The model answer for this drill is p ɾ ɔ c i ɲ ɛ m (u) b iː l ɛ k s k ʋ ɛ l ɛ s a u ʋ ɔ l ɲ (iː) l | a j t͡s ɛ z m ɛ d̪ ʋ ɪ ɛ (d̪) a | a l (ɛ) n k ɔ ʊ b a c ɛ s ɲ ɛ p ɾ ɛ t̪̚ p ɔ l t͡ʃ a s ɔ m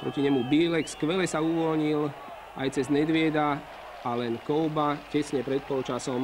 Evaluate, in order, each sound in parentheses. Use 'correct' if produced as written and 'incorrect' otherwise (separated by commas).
correct, incorrect, correct, correct